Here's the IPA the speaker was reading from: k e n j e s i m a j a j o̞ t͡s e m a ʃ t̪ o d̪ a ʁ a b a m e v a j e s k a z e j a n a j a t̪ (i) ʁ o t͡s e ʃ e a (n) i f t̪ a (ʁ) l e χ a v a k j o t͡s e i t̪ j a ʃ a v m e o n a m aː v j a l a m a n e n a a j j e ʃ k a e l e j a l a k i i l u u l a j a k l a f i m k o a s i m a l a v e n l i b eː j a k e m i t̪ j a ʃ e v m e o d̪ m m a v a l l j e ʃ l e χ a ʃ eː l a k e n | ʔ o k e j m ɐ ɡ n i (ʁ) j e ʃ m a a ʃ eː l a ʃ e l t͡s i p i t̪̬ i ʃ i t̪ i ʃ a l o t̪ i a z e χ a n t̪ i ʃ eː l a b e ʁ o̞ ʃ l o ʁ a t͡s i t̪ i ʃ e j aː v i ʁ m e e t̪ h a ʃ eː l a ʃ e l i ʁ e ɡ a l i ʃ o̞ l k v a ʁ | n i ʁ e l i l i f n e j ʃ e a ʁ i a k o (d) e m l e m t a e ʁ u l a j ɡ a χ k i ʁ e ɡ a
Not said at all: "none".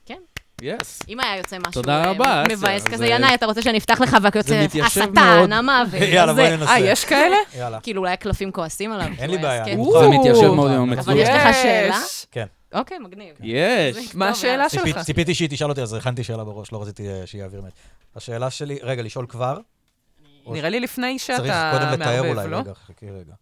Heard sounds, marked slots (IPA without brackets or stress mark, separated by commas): a, n, χ, v, d